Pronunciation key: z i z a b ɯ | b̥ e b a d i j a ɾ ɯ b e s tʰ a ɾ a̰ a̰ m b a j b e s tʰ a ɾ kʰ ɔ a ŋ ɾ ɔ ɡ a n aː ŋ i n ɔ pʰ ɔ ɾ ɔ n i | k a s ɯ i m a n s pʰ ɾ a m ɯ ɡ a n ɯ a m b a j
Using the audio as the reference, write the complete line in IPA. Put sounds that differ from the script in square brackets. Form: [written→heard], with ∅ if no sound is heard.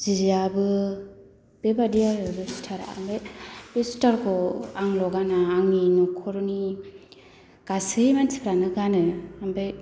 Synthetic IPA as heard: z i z a b ɯ | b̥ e b a d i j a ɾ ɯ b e s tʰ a ɾ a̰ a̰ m b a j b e s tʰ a ɾ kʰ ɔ a ŋ [ɾ→l] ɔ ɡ a n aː ŋ i n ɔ [pʰ→kʰ] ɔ ɾ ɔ n i | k a s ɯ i m a n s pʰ ɾ a [m→n] ɯ ɡ a n ɯ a m b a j